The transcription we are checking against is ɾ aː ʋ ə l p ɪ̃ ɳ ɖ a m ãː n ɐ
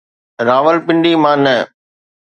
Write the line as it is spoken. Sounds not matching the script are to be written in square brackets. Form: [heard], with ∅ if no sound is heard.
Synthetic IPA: ɾ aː ʋ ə l p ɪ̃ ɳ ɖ [i] m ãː n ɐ